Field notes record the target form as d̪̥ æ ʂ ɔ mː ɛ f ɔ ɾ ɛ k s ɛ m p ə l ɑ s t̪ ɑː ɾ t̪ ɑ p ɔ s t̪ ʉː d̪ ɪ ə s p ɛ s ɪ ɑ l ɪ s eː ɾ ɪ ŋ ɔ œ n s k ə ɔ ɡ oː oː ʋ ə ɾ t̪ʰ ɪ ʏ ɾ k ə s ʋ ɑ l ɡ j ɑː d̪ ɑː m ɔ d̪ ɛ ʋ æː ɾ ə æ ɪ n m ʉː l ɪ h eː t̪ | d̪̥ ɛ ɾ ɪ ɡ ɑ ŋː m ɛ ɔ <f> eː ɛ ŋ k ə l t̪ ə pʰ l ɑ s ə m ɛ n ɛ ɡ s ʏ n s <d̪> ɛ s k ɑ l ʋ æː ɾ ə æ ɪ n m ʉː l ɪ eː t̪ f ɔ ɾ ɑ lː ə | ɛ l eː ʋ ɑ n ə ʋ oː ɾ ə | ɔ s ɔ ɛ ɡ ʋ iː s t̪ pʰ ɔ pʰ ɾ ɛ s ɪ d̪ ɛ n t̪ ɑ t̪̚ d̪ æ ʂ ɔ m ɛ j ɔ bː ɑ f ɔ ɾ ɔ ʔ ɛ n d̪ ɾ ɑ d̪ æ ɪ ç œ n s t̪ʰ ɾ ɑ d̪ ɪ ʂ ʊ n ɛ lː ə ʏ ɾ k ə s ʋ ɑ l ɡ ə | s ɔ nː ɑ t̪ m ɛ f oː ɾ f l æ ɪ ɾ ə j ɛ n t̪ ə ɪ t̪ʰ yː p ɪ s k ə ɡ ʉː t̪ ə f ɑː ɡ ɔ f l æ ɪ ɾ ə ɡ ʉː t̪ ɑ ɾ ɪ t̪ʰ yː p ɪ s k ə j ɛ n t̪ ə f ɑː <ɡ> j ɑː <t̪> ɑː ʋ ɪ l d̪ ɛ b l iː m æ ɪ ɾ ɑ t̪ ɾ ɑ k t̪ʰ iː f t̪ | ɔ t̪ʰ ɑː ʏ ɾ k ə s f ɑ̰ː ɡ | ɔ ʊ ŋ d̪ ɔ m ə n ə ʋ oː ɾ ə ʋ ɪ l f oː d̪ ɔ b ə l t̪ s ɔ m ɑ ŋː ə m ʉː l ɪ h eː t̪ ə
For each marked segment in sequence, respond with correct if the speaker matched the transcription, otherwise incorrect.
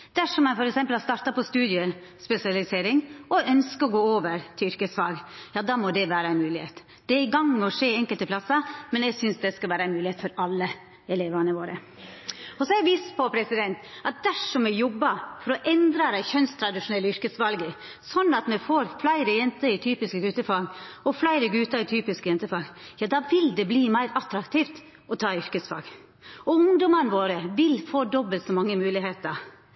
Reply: incorrect, correct, correct, incorrect

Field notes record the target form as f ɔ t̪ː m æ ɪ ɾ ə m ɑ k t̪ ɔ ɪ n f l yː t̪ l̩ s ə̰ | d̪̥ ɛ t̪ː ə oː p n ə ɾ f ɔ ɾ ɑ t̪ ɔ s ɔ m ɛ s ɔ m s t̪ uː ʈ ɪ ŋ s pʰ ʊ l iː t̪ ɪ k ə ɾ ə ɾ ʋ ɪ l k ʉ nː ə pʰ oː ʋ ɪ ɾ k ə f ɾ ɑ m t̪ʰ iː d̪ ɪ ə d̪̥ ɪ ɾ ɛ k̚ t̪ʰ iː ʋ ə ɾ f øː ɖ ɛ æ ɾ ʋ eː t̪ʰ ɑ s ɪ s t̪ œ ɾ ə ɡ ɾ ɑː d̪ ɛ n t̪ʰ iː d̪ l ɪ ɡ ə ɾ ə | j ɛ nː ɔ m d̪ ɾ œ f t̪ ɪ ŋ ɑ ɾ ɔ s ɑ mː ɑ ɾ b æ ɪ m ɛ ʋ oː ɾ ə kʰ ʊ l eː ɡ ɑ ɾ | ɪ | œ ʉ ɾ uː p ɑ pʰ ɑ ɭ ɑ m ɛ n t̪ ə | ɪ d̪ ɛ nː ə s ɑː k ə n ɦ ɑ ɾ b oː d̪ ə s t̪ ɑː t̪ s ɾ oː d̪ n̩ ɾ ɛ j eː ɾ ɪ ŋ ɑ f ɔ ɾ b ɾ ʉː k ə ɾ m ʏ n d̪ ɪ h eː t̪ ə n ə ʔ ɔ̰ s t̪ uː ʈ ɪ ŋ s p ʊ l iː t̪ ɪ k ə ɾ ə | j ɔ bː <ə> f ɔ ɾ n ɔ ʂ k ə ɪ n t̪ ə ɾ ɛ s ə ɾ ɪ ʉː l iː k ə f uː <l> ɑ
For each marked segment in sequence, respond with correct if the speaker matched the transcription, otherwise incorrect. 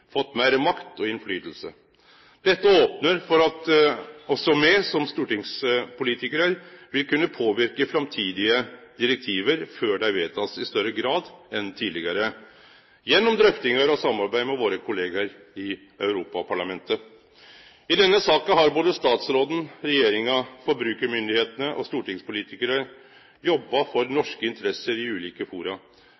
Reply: incorrect, incorrect

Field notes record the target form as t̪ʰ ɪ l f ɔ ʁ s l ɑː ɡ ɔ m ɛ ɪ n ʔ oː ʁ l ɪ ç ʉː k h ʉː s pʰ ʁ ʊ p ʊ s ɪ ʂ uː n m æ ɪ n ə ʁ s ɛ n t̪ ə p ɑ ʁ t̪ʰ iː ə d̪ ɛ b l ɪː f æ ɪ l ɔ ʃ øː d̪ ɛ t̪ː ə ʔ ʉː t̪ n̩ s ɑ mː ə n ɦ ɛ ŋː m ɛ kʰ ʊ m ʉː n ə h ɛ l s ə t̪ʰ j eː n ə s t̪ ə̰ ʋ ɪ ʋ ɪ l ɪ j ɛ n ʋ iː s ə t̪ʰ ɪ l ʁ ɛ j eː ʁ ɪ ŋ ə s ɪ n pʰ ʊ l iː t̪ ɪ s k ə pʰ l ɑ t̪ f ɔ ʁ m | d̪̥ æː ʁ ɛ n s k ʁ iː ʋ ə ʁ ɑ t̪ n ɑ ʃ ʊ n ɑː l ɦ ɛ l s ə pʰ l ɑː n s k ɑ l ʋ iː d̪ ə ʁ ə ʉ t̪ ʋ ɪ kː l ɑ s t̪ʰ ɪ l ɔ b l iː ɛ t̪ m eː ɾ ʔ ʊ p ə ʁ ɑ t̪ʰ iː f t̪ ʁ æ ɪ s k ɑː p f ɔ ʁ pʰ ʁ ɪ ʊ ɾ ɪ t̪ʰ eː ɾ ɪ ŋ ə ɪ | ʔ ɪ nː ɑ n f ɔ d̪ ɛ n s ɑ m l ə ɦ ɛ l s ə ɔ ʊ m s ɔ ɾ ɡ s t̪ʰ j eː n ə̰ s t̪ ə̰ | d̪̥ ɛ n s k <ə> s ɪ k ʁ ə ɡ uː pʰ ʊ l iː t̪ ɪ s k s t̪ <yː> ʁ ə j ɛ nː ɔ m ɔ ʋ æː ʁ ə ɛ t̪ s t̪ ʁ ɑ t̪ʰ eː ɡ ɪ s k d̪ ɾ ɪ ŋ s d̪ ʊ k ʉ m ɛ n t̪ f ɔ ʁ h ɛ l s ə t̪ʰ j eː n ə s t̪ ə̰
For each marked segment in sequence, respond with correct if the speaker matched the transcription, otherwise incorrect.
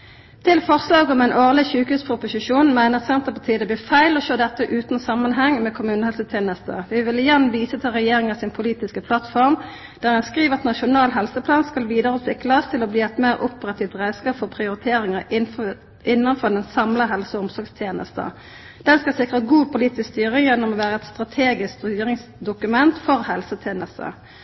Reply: incorrect, correct

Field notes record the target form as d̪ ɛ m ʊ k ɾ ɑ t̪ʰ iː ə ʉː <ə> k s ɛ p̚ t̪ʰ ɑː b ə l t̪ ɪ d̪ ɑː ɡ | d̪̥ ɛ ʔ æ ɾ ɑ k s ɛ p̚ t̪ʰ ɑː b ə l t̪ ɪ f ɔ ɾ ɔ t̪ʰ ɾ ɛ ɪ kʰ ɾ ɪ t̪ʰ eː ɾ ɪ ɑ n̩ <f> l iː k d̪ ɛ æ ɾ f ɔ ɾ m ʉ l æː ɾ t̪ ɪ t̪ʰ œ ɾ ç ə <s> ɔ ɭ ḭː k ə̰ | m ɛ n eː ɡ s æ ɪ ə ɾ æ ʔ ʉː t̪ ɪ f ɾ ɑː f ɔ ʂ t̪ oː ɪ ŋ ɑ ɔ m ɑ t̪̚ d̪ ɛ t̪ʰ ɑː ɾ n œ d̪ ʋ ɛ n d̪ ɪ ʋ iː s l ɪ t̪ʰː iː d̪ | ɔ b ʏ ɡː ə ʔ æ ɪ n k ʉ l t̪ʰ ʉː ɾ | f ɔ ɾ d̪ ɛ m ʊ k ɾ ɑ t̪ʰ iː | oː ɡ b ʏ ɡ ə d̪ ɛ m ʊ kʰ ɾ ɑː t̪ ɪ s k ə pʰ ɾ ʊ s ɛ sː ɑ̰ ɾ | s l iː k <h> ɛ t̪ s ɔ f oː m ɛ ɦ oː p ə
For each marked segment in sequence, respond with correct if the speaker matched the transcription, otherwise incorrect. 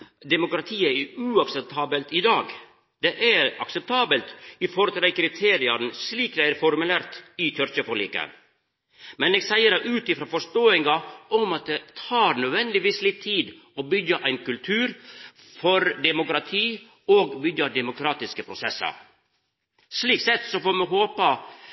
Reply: incorrect, incorrect, incorrect, incorrect

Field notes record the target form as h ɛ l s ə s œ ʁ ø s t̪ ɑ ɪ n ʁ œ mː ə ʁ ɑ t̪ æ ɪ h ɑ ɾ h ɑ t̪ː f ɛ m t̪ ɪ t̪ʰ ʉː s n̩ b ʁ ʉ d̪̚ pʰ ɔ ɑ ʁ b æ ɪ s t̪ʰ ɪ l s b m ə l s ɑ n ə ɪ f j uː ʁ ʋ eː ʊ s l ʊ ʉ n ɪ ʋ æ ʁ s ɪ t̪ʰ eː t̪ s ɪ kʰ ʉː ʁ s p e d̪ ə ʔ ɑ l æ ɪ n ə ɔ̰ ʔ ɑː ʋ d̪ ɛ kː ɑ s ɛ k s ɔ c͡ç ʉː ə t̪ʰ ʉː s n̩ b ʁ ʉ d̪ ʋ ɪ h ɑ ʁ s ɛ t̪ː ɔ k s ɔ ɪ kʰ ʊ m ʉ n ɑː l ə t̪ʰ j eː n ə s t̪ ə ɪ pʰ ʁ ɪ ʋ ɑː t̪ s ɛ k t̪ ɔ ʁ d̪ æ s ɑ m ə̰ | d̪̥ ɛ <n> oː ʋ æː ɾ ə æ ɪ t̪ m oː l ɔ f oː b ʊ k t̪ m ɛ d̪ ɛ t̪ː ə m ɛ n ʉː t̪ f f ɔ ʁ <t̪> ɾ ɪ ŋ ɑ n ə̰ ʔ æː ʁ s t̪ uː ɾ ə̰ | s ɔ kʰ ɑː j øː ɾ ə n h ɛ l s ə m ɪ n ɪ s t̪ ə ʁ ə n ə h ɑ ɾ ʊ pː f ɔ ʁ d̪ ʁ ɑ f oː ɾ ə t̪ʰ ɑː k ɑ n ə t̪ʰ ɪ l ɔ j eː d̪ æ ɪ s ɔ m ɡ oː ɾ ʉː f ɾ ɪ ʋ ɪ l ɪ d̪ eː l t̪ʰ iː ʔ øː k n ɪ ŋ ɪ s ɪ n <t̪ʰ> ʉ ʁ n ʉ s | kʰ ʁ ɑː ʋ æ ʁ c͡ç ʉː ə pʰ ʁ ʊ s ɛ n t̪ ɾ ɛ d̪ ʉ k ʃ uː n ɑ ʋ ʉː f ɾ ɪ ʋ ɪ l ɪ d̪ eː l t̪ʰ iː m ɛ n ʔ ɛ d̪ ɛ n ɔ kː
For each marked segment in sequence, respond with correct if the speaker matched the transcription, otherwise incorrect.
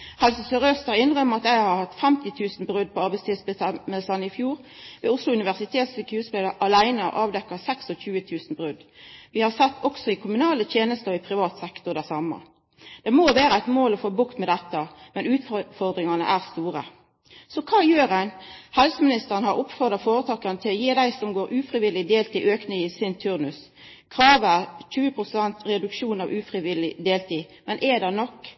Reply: incorrect, incorrect, correct

